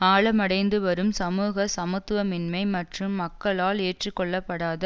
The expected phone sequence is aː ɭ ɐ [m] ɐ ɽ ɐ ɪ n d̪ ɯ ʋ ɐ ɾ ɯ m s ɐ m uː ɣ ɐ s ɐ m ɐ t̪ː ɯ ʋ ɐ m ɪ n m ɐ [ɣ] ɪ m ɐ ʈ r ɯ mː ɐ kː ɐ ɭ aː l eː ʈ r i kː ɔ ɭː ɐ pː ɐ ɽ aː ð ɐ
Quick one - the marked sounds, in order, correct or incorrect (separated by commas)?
correct, incorrect